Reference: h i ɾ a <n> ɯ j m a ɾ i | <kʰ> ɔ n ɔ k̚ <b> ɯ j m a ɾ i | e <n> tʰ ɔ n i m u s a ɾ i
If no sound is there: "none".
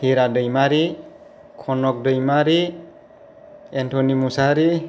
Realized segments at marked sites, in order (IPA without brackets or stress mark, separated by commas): d, kʰ, d, n